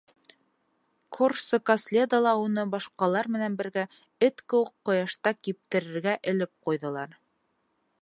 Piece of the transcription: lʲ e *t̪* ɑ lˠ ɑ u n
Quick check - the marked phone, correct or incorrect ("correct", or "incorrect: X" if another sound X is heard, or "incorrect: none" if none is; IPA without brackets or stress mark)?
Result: incorrect: d̪